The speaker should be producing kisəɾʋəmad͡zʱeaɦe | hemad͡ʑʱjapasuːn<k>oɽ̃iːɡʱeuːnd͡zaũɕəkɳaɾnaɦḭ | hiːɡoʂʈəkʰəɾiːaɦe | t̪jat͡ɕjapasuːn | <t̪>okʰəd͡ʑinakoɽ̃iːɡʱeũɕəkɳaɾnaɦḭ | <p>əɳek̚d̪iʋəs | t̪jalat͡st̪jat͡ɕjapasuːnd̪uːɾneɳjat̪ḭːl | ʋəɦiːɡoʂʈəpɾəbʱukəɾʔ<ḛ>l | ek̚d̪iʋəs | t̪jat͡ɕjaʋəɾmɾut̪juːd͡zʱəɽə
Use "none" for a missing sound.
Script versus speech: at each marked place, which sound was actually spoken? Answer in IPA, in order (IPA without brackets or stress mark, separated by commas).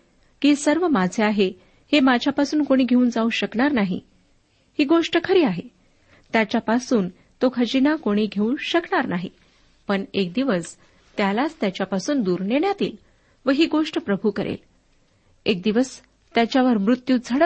k, t̪, p, ḛ